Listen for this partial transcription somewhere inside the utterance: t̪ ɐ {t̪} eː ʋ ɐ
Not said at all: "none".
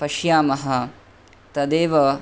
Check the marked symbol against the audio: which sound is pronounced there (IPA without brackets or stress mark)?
d̪